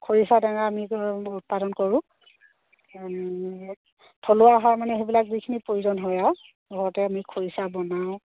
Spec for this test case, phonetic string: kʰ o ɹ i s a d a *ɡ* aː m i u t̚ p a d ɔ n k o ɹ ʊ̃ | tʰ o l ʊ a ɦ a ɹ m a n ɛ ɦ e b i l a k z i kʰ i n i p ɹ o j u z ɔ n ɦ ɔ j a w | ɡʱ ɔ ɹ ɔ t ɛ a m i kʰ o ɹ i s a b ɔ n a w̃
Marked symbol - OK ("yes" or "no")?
no